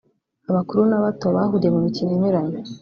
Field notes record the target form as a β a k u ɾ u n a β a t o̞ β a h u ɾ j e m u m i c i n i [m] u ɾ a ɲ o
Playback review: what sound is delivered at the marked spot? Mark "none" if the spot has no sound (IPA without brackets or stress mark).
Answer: ɲ